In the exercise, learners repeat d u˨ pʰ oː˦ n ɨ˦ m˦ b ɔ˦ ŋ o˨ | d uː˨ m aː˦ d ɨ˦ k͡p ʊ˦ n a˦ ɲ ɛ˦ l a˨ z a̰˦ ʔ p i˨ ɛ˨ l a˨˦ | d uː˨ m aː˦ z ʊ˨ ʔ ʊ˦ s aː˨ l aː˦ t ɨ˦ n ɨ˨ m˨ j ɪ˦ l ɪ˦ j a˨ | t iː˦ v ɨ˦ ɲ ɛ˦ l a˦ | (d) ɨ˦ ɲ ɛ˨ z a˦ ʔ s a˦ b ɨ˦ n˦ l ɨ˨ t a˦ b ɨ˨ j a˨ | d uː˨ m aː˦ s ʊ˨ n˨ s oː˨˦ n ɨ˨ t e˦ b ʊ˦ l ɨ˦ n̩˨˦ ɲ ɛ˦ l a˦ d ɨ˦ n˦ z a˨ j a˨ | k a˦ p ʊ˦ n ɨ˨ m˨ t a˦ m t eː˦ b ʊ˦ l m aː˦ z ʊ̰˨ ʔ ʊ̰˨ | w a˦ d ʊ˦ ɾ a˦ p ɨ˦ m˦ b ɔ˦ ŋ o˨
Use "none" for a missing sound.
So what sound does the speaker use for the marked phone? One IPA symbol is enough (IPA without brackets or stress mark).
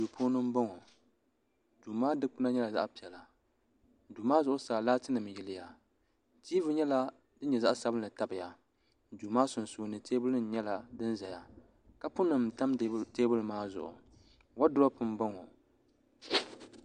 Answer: d